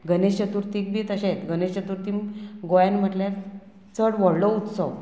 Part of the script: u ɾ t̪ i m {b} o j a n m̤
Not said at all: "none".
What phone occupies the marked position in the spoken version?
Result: ɡ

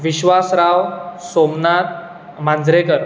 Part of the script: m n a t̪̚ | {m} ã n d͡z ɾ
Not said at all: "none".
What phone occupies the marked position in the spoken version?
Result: m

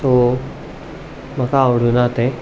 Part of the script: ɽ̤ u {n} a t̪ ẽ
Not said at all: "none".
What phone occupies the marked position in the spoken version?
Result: n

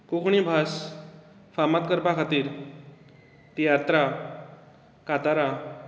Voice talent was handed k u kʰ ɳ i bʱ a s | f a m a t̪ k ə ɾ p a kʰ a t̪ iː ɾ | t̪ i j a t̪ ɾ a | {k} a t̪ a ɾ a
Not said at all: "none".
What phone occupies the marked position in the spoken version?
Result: k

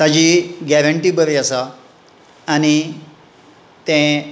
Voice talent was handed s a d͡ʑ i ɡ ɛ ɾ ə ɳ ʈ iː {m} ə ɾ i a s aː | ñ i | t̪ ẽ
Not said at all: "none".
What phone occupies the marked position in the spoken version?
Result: b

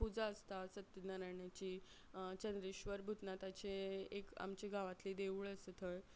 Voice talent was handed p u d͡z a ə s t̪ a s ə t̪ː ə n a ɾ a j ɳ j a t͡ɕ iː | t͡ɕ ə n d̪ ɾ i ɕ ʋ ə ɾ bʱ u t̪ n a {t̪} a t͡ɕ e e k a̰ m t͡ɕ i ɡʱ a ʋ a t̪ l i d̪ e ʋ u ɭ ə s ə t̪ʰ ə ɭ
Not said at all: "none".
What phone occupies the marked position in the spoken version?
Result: t̪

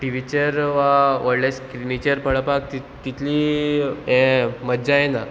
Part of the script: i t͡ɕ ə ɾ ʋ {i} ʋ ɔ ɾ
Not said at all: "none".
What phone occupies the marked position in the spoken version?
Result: a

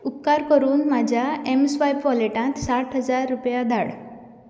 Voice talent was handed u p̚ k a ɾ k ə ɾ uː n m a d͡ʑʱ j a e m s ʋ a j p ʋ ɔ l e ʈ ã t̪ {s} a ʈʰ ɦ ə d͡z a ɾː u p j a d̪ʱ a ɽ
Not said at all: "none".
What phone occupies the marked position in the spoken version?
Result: s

